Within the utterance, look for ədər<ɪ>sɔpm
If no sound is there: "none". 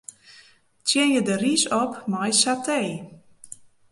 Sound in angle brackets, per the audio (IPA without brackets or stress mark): i